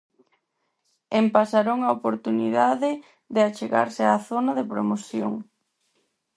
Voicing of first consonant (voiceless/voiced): voiced